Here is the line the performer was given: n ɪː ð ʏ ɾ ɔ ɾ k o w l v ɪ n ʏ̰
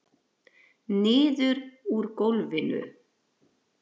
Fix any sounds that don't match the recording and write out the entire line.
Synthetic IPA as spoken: n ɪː ð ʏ ɾ u ɾ k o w l v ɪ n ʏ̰